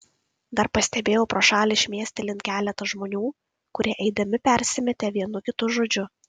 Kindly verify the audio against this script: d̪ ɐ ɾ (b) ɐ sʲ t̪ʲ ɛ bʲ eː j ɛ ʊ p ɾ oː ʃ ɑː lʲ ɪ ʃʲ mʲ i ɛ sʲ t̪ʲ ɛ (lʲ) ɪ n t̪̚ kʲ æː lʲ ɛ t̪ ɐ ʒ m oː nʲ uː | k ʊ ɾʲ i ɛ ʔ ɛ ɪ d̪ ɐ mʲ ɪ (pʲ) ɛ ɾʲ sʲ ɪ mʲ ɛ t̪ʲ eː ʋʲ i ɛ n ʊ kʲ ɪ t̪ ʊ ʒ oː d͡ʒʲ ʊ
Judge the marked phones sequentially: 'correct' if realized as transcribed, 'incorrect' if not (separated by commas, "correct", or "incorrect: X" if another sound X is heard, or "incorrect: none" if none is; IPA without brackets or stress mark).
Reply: incorrect: p, correct, correct